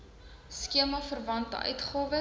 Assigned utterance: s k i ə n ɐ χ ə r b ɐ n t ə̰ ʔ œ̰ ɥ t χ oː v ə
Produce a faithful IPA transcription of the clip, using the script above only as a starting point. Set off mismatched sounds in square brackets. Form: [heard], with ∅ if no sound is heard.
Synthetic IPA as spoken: s k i ə [m] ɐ [f] ə r [v] ɐ n t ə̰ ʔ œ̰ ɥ t χ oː v ə